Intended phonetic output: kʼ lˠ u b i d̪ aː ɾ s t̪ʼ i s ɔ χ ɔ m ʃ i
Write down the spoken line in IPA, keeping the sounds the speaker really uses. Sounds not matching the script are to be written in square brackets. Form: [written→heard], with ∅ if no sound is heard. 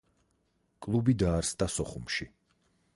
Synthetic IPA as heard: kʼ lˠ u b i d̪ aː ɾ s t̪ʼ [i→a] s ɔ χ [ɔ→u] m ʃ i